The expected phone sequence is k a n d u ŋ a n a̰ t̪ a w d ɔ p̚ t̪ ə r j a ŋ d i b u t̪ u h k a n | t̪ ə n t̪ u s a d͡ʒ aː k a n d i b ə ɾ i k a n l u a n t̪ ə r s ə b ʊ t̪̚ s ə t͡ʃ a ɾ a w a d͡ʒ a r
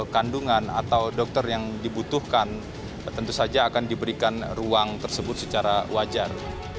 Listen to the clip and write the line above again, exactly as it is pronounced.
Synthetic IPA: k a n d u ŋ a n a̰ t̪ a w d ɔ k̚ t̪ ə r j a ŋ d i b u t̪ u h k a n | t̪ ə n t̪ u s a d͡ʒ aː k a n d i b ə ɾ i k a n r u a ŋ t̪ ə r s ə b ʊ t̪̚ s ə t͡ʃ a ɾ a w a d͡ʒ a r